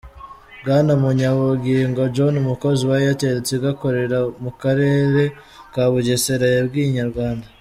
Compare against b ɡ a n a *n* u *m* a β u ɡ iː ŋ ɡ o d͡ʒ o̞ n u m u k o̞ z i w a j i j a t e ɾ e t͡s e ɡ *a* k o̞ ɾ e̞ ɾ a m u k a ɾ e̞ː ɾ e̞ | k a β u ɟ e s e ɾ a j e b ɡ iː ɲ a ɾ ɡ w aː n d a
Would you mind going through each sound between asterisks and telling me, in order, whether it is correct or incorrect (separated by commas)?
incorrect, incorrect, correct